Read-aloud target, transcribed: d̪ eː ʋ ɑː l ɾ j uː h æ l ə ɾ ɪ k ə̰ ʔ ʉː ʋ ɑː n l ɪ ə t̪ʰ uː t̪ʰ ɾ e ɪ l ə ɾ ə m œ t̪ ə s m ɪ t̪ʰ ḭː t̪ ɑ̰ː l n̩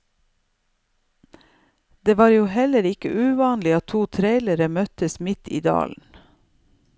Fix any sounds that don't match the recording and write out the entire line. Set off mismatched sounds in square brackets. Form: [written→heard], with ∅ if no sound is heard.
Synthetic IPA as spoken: d̪ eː ʋ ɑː [l→∅] ɾ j uː h [æ→ɛ] l ə ɾ ɪ k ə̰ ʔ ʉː ʋ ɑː n l ɪ [ə→ɑ] t̪ʰ uː t̪ʰ ɾ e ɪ l ə ɾ ə m œ t̪ ə s m ɪ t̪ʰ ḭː [t̪→d̪] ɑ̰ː l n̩